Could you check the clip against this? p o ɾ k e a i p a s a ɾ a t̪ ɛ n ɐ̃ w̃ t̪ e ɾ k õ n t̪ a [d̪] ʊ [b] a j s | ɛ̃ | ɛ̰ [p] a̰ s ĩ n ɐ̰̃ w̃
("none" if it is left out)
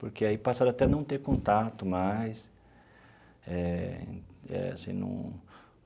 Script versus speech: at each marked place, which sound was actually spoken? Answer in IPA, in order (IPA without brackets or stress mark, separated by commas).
t̪, m, none